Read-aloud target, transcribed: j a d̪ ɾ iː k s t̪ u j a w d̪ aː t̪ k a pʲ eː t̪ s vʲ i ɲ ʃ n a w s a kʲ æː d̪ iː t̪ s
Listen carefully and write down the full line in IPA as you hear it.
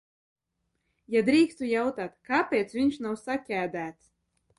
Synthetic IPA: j a d̪ ɾ iː k s t̪ u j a w t̪ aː t̪ k a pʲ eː t̪ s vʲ i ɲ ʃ n a w s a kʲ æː d̪ æː t̪ s